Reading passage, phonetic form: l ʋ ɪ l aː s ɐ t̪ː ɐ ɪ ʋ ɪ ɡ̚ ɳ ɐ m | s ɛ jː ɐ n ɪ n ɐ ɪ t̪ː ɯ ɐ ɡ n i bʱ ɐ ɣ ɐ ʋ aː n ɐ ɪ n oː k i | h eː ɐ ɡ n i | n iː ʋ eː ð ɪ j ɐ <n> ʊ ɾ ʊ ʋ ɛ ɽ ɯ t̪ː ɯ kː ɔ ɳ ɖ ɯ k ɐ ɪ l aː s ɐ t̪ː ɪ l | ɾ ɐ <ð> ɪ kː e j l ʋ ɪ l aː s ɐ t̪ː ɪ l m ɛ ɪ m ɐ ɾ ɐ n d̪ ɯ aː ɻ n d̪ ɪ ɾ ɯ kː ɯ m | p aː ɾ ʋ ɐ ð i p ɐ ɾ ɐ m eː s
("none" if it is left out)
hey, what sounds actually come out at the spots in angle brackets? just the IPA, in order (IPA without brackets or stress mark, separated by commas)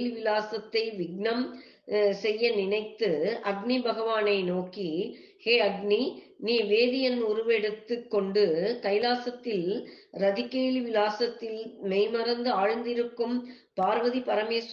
n, ð